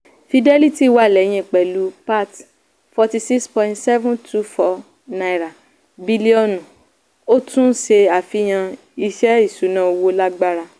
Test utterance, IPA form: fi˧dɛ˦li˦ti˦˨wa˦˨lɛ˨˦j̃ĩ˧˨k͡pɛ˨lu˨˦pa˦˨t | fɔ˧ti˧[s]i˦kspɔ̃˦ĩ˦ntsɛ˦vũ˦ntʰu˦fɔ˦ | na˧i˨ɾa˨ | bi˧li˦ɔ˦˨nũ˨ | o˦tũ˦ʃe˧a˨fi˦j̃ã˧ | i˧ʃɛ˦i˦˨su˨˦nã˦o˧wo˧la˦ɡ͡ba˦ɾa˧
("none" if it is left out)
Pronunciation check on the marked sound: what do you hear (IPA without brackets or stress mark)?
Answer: s